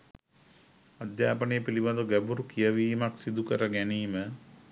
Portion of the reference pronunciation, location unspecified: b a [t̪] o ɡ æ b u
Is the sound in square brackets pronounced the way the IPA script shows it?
no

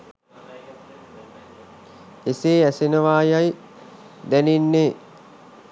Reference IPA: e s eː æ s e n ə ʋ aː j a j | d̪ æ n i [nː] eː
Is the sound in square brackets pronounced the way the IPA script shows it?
yes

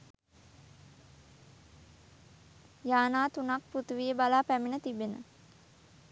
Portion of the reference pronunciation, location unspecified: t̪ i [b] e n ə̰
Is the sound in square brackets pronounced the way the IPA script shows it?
yes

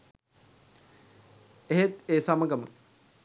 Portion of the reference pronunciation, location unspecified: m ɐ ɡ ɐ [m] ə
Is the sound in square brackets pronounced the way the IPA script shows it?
yes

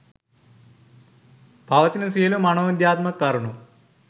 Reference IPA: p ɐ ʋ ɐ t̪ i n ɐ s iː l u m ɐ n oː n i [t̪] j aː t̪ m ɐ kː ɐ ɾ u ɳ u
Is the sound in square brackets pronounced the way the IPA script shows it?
no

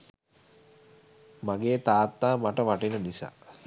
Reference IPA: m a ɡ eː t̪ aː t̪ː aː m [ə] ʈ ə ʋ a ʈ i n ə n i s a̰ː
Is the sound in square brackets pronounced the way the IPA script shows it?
no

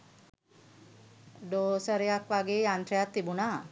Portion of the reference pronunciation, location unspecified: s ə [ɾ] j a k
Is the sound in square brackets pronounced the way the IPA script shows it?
yes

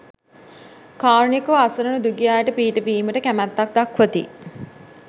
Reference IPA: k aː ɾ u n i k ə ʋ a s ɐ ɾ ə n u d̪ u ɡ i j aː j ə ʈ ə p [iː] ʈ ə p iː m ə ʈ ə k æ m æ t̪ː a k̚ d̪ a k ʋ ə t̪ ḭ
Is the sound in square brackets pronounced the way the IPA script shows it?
yes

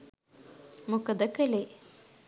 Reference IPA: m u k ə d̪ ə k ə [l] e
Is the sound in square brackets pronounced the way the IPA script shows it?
yes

